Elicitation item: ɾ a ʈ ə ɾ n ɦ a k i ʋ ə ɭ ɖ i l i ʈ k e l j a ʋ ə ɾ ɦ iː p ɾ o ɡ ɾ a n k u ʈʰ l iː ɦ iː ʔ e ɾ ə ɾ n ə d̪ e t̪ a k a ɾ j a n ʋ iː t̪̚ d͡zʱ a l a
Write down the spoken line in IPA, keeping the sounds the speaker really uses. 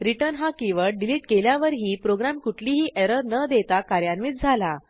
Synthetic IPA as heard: ɾ i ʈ ə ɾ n ɦ a k i ʋ ə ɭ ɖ i l i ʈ k e l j a ʋ ə ɾ ɦ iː p ɾ o ɡ ɾ a m k u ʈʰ l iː ɦ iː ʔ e ɾ ə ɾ n ə d̪ e t̪ a k a ɾ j a n ʋ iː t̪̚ d͡zʱ a l a